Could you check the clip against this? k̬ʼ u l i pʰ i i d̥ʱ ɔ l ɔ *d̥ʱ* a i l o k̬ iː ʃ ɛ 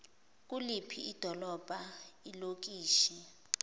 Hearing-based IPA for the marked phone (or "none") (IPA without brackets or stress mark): b̥ʱ